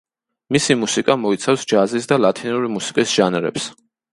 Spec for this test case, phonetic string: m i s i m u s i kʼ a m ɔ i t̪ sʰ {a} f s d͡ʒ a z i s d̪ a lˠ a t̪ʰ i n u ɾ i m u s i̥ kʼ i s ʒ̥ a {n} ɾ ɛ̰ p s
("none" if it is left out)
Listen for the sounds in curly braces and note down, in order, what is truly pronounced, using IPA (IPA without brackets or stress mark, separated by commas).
a, n